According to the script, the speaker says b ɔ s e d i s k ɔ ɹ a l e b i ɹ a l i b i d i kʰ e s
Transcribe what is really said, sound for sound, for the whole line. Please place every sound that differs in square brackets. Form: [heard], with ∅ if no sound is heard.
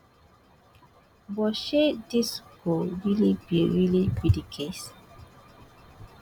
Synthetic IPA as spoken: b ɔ [ʃ] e d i s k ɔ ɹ [i] l [i] b i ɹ [i] l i b i d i kʰ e s